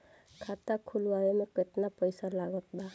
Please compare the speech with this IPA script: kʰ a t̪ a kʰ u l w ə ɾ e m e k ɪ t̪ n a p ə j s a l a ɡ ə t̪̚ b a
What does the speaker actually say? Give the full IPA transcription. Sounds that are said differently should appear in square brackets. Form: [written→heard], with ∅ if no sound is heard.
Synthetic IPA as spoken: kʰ a t̪ a kʰ u l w [ə→a] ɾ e m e k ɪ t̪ n a p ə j s a l a ɡ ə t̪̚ b a